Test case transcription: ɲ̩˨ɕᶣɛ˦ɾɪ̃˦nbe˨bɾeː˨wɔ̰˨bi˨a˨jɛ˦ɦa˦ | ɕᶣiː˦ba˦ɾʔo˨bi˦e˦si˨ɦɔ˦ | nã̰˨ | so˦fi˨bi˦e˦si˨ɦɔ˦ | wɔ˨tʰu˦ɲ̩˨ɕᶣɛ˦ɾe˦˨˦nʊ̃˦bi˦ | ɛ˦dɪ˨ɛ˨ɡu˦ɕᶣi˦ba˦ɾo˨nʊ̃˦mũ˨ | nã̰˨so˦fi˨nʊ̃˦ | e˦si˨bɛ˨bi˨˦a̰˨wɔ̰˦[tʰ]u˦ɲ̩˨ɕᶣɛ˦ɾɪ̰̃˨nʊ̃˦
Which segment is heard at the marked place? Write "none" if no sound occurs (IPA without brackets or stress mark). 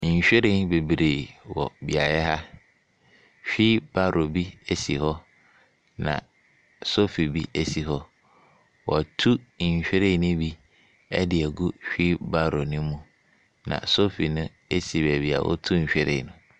tʰ